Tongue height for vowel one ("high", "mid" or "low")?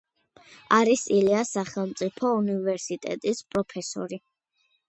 low